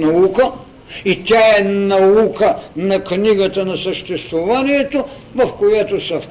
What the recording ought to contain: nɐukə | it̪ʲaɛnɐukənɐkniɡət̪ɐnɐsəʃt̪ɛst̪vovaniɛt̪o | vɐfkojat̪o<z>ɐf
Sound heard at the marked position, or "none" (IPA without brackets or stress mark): s